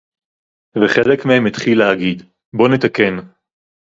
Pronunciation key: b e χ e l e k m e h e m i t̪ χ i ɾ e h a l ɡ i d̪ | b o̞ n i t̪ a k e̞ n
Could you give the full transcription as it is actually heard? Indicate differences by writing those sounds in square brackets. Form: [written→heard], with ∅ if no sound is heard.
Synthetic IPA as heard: [b→v] e χ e l e k m e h e m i t̪ χ i [ɾ→l] e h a [l→∅] ɡ i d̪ | b o̞ n [i→e] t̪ a k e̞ n